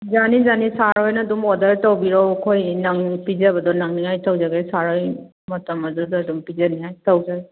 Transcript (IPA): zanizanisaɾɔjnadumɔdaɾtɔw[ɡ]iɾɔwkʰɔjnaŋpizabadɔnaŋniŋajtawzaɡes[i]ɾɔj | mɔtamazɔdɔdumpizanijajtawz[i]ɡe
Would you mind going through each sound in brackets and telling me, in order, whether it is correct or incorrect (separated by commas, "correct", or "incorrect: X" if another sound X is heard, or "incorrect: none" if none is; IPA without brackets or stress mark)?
incorrect: b, incorrect: a, incorrect: a